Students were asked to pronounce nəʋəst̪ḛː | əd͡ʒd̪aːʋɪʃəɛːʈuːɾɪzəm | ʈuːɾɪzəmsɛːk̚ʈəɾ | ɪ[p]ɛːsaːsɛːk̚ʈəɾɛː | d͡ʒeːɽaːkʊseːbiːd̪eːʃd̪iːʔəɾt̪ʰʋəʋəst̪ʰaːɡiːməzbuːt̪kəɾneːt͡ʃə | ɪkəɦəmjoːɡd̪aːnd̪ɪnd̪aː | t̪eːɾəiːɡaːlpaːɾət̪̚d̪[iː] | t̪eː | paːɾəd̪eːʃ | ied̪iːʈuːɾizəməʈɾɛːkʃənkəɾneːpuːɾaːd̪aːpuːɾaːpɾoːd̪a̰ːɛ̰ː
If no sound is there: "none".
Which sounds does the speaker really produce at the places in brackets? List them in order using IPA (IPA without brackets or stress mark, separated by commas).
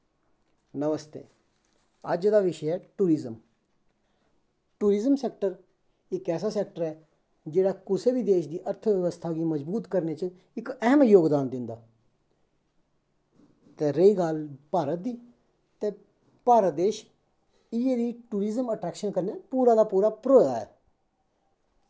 k, iː